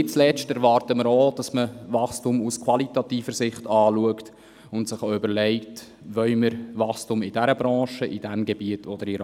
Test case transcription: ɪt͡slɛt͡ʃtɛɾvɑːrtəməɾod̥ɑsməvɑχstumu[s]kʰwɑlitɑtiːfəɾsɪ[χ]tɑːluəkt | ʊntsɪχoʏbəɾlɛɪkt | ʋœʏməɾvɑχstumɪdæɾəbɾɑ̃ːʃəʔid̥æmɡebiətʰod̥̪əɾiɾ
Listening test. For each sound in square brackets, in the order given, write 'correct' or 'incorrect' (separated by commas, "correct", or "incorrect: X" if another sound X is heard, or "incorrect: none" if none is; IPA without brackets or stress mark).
correct, correct